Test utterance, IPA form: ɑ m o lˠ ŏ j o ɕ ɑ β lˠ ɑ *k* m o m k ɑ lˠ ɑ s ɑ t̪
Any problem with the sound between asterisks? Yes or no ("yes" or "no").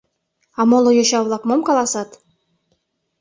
no